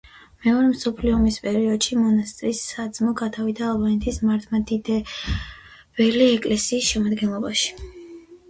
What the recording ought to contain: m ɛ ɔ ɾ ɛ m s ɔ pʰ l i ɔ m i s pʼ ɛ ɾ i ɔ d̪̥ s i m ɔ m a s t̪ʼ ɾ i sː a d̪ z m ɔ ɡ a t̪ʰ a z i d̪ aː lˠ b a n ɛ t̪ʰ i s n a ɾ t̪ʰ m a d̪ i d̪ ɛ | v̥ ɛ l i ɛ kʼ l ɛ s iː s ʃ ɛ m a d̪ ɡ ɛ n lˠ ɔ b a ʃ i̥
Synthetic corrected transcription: m ɛ ɔ ɾ ɛ m s ɔ pʰ l i ɔ m i s pʼ ɛ ɾ i ɔ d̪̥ ʃ i m ɔ n a s t̪ʼ ɾ i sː a d̪ z m ɔ ɡ a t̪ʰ a v i d̪ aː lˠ b a n ɛ t̪ʰ i s m a ɾ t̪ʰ m a d̪ i d̪ ɛ | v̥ ɛ l i ɛ kʼ l ɛ s iː s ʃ ɛ m a d̪ ɡ ɛ n lˠ ɔ b a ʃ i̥